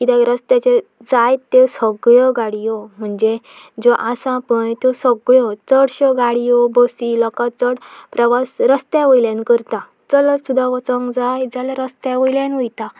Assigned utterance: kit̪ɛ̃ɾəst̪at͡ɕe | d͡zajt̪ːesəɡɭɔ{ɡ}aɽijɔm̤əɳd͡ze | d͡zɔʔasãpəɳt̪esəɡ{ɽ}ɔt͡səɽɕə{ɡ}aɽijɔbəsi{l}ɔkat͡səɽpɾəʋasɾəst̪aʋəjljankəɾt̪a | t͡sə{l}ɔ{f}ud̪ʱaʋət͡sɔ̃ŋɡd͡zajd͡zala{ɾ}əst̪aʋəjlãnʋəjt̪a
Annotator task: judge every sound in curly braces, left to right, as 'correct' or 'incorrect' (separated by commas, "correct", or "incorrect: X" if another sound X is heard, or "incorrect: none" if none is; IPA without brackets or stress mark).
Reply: correct, incorrect: ɭ, correct, correct, correct, incorrect: s, correct